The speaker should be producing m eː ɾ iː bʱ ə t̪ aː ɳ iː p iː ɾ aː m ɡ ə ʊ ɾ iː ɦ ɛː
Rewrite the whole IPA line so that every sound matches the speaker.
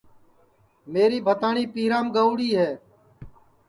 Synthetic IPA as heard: m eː ɾ iː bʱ ə t̪ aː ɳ iː p iː ɾ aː m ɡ ə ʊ ɽ iː ɦ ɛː